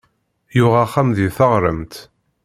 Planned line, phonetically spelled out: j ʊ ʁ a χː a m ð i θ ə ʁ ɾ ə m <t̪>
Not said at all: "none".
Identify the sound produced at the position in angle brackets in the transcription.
t̪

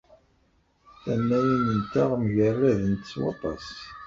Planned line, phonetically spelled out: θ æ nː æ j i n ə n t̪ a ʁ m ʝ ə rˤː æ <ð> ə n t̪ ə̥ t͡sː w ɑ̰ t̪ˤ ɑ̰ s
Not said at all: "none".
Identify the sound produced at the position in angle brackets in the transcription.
ð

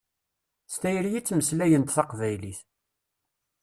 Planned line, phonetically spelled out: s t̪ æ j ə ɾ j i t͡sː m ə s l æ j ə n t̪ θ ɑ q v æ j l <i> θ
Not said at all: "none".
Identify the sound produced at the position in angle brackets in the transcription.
i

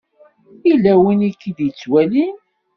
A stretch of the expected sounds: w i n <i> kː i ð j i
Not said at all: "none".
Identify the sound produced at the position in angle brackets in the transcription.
i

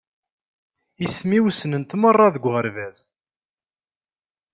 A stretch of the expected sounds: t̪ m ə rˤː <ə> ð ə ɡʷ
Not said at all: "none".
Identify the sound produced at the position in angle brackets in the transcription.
ɑ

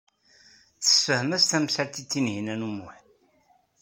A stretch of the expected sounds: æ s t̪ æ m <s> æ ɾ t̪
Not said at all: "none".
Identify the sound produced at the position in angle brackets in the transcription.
s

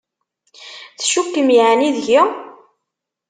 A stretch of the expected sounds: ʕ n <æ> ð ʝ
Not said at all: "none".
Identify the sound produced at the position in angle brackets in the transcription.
i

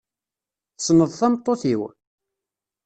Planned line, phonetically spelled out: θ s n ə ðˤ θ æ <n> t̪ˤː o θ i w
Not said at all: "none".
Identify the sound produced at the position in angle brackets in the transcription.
m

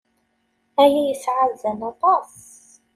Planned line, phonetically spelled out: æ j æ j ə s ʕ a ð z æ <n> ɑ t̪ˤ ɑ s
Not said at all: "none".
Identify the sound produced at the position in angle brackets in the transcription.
n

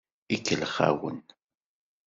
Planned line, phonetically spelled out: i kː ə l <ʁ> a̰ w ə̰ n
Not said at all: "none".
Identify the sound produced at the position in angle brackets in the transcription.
χ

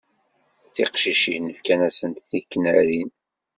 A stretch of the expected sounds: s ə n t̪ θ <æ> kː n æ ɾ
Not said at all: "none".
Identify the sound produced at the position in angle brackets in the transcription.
i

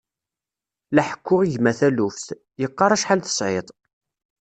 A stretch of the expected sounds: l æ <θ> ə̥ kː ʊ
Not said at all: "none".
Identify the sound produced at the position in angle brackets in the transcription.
ħ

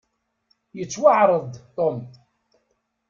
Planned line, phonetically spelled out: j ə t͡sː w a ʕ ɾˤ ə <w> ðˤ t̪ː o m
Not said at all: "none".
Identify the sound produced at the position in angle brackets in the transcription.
none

